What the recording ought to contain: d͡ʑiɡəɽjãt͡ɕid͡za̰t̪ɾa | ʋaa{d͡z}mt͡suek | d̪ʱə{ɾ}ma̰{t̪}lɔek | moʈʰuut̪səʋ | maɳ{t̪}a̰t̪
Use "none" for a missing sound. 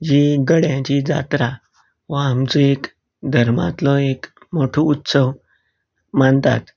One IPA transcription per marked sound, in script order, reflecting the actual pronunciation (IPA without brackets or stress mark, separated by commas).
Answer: none, ɾ, t̪, t̪